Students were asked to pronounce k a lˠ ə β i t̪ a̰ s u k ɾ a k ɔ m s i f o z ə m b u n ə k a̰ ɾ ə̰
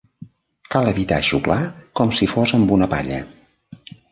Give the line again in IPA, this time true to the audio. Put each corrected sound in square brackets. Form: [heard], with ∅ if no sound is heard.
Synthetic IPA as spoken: k a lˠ ə β i t̪ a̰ [ʃ] u k [l] a k ɔ m s i f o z ə m b u n ə [p] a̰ [ʎ] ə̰